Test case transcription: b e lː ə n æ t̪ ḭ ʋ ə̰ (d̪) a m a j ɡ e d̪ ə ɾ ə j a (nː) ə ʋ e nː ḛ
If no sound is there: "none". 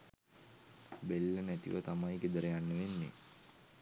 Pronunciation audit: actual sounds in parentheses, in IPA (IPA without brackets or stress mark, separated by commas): t̪, nː